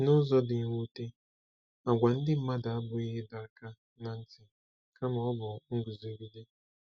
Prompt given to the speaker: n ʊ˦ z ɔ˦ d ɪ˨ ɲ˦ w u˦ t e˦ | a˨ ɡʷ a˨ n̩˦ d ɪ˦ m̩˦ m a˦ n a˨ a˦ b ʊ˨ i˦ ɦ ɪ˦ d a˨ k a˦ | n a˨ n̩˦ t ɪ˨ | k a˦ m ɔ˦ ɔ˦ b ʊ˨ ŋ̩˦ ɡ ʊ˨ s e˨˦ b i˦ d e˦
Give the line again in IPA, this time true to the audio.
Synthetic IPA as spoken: n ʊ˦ z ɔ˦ d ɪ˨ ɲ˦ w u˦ t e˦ | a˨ ɡʷ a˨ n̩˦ d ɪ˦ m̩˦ m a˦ d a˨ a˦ b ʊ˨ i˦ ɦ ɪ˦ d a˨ k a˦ | n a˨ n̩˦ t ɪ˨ | k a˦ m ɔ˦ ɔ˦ b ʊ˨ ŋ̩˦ ɡ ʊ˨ z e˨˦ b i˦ d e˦